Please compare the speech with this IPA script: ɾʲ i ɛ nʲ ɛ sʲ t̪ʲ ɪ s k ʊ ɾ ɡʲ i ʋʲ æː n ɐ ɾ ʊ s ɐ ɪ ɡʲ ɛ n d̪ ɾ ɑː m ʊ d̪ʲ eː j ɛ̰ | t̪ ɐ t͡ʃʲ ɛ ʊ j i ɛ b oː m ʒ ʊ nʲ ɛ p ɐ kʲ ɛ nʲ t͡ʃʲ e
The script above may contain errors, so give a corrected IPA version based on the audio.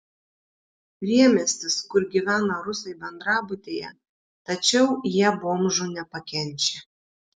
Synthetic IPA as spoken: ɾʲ i ɛ mʲ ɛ sʲ t̪ʲ ɪ s k ʊ ɾ ɡʲ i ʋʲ æː n ɐ ɾ ʊ s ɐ ɪ bʲ ɛ n d̪ ɾ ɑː b ʊ t̪ʲ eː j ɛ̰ | t̪ ɐ t͡ʃʲ ɛ ʊ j i ɛ b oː m ʒ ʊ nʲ ɛ p ɐ kʲ ɛ nʲ t͡ʃʲ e